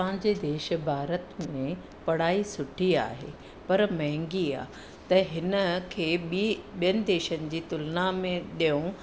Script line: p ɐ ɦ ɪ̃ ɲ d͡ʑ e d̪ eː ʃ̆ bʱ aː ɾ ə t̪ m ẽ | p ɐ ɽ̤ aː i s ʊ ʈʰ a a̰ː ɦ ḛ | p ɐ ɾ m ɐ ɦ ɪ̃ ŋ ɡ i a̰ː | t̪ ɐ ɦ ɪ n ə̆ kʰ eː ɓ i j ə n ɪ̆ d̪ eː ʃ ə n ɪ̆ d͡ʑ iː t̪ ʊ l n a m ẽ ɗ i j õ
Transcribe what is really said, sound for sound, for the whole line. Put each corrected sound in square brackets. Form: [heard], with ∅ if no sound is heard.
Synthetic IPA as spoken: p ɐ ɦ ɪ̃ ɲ d͡ʑ e d̪ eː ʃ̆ bʱ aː ɾ ə t̪ m ẽ | p ɐ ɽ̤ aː i s ʊ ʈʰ [i] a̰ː ɦ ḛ | p ɐ ɾ m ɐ ɦ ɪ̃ ŋ ɡ i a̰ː | t̪ ɐ ɦ ɪ n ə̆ kʰ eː ɓ i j ə n ɪ̆ d̪ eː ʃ ə n ɪ̆ d͡ʑ iː t̪ ʊ l n a m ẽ ɗ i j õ